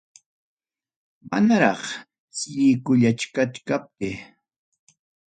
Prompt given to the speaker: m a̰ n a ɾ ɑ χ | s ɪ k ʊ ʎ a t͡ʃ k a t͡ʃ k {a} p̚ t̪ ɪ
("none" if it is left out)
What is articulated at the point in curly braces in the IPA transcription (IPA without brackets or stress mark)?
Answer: a